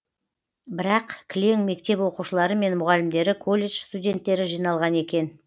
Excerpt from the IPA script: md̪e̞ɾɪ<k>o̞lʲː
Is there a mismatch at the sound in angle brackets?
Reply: yes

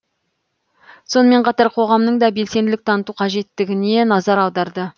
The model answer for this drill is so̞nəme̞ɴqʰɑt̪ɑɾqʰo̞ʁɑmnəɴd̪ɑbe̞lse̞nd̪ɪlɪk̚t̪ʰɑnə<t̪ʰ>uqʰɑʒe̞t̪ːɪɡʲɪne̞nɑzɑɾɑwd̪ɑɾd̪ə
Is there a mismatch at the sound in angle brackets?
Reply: yes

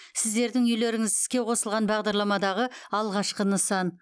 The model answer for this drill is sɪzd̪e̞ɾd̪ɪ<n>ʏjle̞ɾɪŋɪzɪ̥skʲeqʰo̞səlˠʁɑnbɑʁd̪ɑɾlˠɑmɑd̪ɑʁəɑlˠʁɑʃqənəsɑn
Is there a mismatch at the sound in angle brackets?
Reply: yes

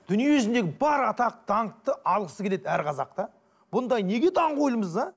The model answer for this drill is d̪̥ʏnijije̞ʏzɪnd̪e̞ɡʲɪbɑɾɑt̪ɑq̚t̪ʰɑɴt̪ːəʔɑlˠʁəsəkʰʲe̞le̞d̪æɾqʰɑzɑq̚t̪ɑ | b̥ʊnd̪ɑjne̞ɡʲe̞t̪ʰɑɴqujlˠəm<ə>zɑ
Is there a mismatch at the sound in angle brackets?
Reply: no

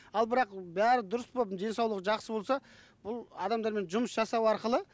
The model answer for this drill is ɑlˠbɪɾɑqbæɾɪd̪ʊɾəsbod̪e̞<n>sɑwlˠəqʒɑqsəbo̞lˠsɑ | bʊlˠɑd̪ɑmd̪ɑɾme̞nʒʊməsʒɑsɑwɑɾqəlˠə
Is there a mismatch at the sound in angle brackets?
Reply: no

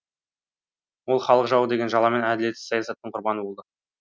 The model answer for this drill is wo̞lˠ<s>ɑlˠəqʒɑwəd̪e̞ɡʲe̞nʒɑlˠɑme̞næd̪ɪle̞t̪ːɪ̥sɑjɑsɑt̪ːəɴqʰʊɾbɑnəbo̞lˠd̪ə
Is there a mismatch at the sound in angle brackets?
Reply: yes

